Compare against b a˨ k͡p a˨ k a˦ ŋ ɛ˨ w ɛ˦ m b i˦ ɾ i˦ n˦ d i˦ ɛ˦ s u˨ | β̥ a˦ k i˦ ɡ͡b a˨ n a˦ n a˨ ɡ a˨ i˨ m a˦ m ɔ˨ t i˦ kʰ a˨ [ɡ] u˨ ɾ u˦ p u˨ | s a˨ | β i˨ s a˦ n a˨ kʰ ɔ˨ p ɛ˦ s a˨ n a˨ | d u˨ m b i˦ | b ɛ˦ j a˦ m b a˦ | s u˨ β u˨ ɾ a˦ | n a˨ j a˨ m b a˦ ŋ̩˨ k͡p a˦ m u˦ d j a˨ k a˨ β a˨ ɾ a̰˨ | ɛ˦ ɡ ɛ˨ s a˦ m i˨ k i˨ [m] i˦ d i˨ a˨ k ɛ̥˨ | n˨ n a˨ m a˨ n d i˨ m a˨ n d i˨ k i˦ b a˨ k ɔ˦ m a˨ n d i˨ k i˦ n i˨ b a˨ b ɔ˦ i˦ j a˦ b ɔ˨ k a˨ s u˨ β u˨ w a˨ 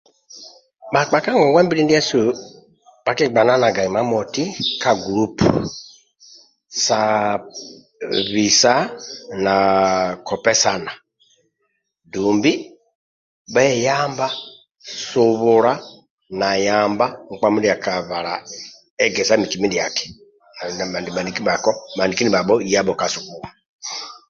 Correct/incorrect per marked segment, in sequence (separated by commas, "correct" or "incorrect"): correct, correct